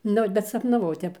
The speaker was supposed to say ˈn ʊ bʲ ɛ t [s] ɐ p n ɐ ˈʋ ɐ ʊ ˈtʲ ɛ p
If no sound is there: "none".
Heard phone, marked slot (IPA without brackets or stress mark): s